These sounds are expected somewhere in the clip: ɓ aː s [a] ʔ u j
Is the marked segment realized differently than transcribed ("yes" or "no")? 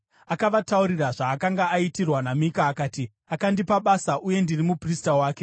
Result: no